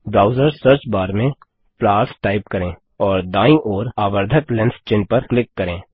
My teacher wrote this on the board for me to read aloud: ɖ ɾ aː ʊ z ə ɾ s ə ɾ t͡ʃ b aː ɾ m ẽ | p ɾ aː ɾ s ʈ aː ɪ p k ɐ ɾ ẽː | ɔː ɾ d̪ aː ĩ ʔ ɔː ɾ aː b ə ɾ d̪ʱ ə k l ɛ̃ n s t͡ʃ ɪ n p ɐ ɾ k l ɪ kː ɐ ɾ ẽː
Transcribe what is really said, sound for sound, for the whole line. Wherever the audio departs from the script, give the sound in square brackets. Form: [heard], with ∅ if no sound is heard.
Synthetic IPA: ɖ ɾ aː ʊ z ə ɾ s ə ɾ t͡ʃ b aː ɾ m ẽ | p [l] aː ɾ s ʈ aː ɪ p k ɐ ɾ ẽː | ɔː ɾ d̪ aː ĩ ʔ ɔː ɾ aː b ə ɾ d̪ʱ ə k l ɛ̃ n s t͡ʃ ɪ n p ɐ ɾ k l ɪ kː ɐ ɾ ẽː